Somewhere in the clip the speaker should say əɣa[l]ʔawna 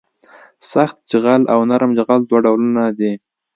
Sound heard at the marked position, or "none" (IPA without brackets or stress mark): l